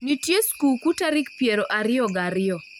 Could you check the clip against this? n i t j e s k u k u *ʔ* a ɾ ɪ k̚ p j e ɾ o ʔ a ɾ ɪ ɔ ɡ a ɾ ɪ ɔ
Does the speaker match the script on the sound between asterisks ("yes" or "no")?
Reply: no